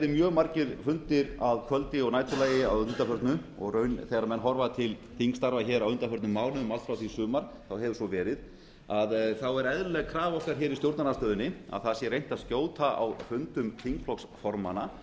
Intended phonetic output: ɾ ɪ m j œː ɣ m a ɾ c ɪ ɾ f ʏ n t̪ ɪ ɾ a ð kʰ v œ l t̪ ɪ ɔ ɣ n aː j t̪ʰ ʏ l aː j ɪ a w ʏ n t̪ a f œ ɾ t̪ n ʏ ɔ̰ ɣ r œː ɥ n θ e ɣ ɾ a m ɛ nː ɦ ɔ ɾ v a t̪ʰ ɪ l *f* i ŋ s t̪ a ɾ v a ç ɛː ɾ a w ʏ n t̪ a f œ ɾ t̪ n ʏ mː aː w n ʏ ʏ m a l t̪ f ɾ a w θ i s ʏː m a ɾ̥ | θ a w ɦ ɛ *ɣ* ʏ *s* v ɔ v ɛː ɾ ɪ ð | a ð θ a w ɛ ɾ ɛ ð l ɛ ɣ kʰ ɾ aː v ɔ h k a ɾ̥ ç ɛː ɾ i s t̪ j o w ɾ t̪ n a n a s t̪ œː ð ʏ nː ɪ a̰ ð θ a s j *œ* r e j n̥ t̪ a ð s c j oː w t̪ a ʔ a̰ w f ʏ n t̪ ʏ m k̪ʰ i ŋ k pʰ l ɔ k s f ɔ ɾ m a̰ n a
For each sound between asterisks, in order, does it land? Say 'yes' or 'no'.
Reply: no, no, yes, no

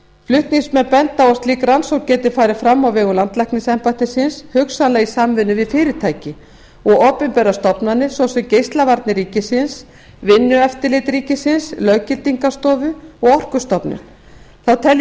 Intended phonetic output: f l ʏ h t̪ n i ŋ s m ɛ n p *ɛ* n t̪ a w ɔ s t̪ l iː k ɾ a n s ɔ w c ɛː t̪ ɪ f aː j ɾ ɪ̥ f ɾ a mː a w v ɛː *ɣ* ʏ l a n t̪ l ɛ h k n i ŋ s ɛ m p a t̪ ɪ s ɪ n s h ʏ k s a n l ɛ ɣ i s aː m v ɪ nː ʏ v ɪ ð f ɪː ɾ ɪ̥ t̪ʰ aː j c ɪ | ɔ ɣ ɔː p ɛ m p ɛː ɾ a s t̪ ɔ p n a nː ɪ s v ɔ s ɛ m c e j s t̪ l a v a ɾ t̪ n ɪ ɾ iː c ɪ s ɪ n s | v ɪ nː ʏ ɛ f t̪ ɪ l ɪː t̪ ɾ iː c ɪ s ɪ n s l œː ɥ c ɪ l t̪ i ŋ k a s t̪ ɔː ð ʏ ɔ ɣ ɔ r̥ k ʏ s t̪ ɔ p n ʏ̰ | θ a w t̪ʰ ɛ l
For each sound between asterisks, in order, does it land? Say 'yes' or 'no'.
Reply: yes, yes

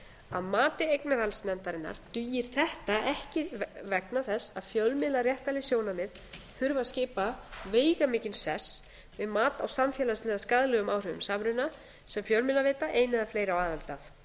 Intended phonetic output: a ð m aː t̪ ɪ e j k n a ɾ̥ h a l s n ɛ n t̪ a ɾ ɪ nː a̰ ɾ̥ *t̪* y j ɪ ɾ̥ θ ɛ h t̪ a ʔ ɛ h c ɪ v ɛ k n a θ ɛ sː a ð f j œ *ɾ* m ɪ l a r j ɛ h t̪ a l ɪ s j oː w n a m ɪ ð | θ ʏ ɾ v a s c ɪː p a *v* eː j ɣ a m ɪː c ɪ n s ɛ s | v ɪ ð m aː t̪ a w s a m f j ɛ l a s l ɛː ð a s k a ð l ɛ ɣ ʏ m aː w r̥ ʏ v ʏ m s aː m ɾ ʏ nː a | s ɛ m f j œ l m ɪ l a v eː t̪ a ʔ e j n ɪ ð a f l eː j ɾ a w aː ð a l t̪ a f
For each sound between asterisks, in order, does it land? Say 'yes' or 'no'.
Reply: yes, no, yes

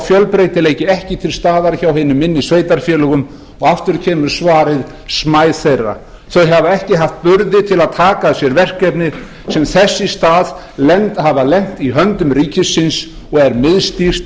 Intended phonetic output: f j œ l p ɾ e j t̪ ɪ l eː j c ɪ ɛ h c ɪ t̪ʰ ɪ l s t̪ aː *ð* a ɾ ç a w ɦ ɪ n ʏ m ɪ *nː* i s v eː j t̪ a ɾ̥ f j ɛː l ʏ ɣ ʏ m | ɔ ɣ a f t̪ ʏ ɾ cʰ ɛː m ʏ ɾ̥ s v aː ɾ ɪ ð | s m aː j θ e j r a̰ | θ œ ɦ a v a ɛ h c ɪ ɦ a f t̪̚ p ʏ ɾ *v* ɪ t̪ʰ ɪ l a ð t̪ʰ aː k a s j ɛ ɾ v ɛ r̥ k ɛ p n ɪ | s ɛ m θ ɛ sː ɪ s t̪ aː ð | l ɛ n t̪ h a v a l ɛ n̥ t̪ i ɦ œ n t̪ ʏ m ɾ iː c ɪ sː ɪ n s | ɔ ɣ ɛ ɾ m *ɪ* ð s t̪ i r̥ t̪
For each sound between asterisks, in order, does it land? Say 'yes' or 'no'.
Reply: yes, yes, no, yes

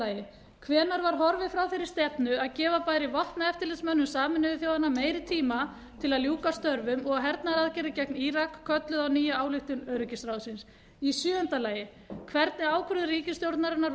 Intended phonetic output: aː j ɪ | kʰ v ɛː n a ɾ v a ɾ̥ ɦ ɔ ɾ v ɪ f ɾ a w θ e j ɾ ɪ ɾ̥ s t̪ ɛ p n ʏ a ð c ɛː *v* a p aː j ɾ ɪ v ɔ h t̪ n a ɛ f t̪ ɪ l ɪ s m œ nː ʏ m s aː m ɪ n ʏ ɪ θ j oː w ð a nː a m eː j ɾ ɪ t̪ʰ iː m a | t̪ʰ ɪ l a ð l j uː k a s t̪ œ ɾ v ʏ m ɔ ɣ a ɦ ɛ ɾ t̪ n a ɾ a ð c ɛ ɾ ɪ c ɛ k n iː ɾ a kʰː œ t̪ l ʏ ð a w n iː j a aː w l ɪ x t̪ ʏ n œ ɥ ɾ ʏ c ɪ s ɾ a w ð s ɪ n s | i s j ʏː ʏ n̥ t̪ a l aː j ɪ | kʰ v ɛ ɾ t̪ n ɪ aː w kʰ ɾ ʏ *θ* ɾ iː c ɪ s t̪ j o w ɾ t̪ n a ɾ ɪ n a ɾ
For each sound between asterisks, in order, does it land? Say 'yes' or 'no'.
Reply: yes, no

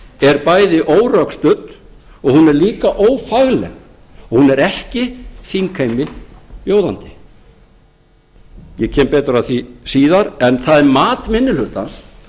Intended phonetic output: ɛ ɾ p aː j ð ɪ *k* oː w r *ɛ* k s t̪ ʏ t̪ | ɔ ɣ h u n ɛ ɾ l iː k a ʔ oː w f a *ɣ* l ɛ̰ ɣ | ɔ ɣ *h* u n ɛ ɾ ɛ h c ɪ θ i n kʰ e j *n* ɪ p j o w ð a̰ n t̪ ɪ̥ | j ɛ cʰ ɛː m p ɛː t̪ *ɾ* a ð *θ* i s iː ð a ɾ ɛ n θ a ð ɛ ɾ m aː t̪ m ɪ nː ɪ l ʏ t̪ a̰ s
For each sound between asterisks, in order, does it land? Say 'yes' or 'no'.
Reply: no, no, yes, yes, no, yes, yes

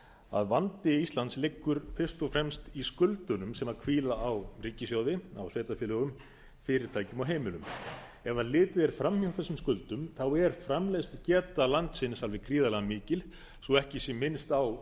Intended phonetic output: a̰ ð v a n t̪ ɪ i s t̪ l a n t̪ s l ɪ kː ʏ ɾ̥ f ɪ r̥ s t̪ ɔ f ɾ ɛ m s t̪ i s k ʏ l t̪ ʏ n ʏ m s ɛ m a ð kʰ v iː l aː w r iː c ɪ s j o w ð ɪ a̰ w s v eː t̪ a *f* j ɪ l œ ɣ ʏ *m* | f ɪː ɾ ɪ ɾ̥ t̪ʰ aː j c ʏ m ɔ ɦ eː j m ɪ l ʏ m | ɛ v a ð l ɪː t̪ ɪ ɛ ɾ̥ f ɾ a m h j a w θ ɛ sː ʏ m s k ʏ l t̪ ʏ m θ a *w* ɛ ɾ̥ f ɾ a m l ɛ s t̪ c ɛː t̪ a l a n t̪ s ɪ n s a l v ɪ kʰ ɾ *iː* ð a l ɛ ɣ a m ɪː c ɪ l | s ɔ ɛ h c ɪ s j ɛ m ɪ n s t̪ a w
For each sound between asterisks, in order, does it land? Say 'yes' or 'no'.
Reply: yes, yes, yes, yes

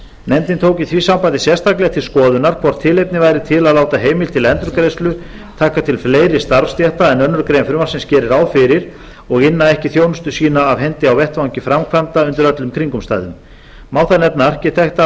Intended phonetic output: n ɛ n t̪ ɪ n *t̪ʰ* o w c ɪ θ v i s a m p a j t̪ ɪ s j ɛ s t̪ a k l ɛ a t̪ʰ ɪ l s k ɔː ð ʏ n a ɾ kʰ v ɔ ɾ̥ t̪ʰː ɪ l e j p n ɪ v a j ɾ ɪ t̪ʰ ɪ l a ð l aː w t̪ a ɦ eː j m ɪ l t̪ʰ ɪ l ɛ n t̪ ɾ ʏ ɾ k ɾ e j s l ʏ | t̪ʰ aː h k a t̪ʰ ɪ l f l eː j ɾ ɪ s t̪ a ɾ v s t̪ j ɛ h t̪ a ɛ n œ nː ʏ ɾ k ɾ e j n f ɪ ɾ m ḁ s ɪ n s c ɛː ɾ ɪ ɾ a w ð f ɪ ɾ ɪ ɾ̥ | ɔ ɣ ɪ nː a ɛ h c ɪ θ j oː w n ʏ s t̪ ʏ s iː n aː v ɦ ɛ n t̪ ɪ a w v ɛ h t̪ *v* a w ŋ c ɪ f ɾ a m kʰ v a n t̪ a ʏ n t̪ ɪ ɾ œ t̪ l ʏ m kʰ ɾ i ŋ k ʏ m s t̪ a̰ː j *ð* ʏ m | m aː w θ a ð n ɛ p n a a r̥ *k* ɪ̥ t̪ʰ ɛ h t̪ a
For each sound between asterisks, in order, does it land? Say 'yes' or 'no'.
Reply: yes, yes, yes, no

